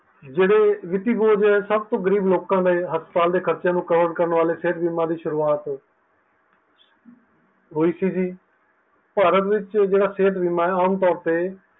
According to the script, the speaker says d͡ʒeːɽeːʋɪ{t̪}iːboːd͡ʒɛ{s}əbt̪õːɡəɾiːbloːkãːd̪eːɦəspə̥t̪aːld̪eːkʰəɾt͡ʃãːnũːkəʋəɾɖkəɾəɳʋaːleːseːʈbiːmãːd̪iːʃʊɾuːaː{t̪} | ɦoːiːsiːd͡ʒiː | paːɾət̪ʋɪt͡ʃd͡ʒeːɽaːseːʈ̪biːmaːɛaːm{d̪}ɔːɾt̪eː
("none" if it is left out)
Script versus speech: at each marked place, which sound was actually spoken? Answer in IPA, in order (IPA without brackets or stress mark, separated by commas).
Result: t̪, s, t̪, t̪